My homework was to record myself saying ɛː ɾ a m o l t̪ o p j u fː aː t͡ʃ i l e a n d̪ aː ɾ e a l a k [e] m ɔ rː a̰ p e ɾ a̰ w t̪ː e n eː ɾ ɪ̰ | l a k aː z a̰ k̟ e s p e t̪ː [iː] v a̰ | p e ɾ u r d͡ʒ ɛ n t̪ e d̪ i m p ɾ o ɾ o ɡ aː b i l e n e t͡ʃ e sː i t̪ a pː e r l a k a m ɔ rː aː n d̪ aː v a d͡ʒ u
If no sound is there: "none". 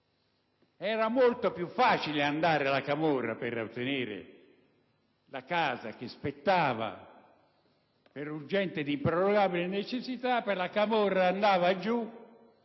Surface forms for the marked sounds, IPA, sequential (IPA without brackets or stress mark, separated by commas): a, aː